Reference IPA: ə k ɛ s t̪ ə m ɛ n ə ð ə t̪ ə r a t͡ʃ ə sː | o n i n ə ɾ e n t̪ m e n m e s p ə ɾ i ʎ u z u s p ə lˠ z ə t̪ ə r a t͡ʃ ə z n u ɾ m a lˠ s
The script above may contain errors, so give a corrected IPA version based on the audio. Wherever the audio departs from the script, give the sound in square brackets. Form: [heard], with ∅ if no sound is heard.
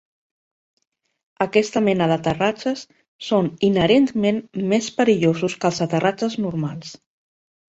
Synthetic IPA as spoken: ə k ɛ s t̪ ə m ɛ n ə ð ə t̪ ə r a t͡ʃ ə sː | o n i n ə ɾ e n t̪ m e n m e s p ə ɾ i ʎ [o] z u s [k] ə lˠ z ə t̪ ə r a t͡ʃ ə z n u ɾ m a lˠ s